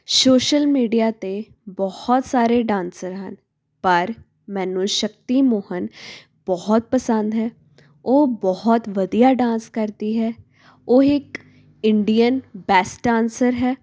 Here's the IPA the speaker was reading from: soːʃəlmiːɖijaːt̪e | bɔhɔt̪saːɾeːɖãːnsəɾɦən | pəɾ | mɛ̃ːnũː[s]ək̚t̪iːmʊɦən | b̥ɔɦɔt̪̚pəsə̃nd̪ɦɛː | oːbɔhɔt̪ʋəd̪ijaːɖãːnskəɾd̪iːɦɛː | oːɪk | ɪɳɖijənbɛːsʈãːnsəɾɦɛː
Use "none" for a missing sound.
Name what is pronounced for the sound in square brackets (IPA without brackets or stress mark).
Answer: ʃ